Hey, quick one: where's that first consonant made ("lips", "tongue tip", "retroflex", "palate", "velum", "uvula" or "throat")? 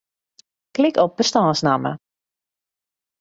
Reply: velum